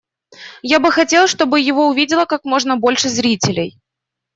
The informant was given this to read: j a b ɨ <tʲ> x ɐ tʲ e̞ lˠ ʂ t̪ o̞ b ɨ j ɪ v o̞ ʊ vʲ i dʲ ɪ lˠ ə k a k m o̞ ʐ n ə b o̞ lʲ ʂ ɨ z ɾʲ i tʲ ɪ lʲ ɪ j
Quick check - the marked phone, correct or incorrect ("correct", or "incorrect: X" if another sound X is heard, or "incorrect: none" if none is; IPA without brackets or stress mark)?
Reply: incorrect: none